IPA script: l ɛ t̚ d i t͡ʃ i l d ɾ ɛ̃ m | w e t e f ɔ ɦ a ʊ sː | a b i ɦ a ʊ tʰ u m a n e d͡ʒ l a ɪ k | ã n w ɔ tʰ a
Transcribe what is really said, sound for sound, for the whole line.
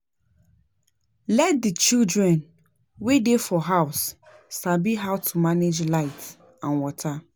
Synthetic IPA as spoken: l ɛ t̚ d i t͡ʃ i l d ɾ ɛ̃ n | w e d e f ɔ ɦ a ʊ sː | a b i ɦ a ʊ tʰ u m a n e d͡ʒ l a ɪ t | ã n w ɔ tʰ a

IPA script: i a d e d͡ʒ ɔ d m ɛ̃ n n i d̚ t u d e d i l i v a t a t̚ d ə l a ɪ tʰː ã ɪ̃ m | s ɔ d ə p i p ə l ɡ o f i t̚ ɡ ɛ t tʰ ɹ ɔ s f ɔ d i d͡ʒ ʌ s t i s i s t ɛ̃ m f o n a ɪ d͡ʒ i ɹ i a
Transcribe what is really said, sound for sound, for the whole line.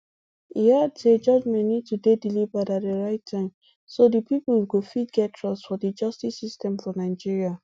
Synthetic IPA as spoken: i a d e d͡ʒ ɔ d͡ʒ m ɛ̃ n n i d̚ t u d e d i l i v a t a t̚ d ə ɹ a ɪ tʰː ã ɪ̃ m | s o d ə p i p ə l ɡ o f i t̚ ɡ ɛ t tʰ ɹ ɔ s f ɔ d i d͡ʒ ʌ s t i s i s t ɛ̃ m f ɔ n a ɪ d͡ʒ i ɹ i a

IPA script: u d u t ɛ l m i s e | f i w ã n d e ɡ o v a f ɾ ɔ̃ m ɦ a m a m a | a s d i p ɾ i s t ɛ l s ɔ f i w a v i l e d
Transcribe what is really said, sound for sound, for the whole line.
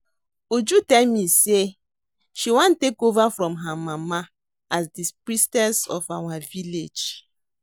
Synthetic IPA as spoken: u d͡ʒ u t ɛ l m i s e | ʃ i w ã n t e k o v a f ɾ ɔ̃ m ɦ a m a m a | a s d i p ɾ i s t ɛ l s ɔ f a w a v i l e d͡ʒ

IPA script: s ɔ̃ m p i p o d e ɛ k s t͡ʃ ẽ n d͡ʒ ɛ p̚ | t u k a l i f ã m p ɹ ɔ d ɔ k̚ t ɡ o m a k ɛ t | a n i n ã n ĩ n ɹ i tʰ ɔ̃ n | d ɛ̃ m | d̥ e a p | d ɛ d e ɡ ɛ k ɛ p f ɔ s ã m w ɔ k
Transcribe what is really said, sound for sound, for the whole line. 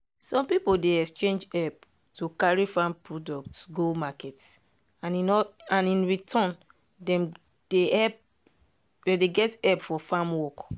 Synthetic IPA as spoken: s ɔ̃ m p i p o d e ɛ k s t͡ʃ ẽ n d͡ʒ ɛ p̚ | t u k a ɹ i f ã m p ɹ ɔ d ɔ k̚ t ɡ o m a k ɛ t | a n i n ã n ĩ n ɹ i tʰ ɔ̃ n | d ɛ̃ m | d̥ e ɛ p | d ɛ d e ɡ ɛ t ɛ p f ɔ f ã m w ɔ k

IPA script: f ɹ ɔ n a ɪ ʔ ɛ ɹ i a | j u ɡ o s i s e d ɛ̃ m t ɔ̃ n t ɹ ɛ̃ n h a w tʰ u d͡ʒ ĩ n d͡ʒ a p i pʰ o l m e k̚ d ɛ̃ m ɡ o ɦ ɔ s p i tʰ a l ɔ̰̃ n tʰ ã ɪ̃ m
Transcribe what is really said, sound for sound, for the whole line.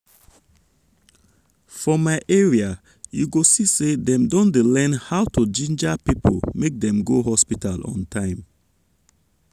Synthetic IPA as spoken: f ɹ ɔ m a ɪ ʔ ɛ ɹ i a | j u ɡ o s i s e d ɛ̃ m d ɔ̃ n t l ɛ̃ n h a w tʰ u d͡ʒ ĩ n d͡ʒ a p i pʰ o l m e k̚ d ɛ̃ m ɡ o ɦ ɔ s p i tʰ a l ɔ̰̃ n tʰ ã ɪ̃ m

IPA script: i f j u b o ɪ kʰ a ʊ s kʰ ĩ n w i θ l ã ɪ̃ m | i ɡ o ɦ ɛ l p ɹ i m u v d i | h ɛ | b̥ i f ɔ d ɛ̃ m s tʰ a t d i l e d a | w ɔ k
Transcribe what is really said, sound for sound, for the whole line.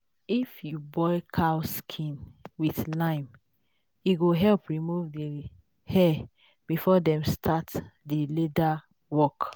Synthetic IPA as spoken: i f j u b ɔ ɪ kʰ a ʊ s kʰ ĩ n w i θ l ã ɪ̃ m | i ɡ o ɦ ɛ l p ɹ i m u v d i | h ɛ | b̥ i f ɔ d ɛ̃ m s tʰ a t d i l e d a | w ɔ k

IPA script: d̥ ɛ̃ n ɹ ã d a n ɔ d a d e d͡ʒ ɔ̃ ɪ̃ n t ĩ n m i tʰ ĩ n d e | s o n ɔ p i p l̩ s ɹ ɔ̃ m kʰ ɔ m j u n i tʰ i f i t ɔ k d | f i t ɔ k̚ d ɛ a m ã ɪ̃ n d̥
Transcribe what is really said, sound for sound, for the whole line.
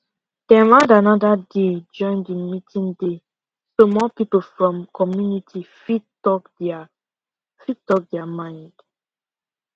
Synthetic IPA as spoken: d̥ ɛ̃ n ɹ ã d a n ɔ d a d e d͡ʒ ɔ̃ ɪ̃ n d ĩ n m i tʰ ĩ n d e | s o m ɔ p i p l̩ f ɹ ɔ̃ m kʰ ɔ m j u n i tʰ i f i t ɔ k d | f i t ɔ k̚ d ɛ a m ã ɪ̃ n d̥

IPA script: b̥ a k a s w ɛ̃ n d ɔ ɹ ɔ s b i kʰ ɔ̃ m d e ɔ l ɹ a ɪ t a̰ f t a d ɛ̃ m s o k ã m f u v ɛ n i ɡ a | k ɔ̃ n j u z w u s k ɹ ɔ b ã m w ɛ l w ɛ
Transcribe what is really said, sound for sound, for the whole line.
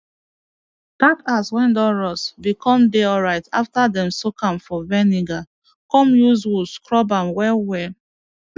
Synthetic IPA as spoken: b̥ a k a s w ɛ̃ n d ɔ ɹ ɔ s b i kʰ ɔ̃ m d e ɔ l ɹ a ɪ t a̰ f t a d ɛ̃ m s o k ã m f ɔ v ɛ n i ɡ a | k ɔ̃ m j u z w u s k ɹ ɔ b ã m w ɛ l w ɛ

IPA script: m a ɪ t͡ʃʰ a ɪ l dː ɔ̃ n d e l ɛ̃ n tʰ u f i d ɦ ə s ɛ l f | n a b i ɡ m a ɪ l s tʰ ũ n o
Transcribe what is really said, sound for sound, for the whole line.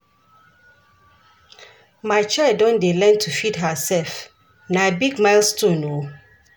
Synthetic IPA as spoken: m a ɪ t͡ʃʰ a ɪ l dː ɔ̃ n d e l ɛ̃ n tʰ u f i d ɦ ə s ɛ l f | n a b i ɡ m a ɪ l s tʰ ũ n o

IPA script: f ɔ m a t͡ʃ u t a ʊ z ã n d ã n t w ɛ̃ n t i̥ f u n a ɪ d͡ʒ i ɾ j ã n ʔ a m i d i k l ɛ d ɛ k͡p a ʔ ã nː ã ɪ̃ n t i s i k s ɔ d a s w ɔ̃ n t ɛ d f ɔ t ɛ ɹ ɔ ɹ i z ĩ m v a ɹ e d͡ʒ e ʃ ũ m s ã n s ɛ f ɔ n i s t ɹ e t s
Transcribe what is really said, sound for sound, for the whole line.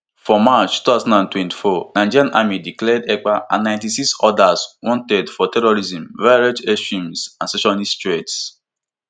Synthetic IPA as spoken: f ɔ m a t͡ʃ u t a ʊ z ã n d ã n t w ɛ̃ n t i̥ f ɔ n a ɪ d͡ʒ i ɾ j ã n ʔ a m i d i k l ɛ d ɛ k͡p a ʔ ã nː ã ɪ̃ n t i s i k s ɔ d a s w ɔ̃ n t ɛ d f ɔ t ɛ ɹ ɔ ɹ i z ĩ m v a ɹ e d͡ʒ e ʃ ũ m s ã n s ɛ ʃ ɔ n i s t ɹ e t s

